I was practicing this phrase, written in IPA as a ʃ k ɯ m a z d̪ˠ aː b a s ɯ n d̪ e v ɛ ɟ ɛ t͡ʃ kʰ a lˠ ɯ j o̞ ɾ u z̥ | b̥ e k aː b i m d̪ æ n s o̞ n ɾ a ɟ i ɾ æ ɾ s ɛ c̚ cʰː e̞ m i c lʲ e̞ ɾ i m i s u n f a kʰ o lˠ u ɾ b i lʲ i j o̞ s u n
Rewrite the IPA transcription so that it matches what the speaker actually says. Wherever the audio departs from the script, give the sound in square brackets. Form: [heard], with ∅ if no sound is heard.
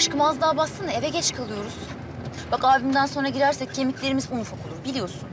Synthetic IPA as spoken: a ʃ k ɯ m a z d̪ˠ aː b a s ɯ n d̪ e v ɛ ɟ ɛ t͡ʃ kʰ a lˠ ɯ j o̞ ɾ u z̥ | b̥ [a] k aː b i m d̪ æ n s o̞ n ɾ a ɟ i ɾ æ ɾ s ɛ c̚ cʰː e̞ m i c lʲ e̞ ɾ i m i [z] u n f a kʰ o lˠ u ɾ b i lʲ i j o̞ s u n